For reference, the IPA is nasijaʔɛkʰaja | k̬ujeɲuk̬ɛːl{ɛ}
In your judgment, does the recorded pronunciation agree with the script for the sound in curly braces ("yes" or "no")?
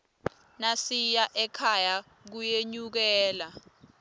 no